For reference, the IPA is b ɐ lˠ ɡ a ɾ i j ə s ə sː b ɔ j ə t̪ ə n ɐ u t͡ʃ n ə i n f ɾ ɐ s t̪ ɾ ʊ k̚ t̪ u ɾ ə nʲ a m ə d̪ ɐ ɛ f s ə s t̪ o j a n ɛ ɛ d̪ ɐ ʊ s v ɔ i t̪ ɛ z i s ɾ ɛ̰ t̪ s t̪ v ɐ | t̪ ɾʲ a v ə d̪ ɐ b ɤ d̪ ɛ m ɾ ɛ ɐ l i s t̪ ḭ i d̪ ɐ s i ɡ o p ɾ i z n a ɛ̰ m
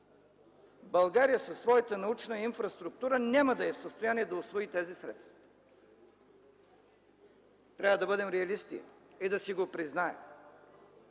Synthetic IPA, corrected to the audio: b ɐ lˠ ɡ a ɾ i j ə s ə sː v ɔ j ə t̪ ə n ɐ u t͡ʃ n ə i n f ɾ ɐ s t̪ ɾ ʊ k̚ t̪ u ɾ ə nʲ a m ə d̪ ɐ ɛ f s ə s t̪ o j a n i ɛ d̪ ɐ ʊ s v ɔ i t̪ ɛ z i s ɾ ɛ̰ t̪ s t̪ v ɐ | t̪ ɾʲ a v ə d̪ ɐ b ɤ d̪ ɛ m ɾ ɛ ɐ l i s t̪ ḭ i d̪ ɐ s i ɡ o p ɾ i z n a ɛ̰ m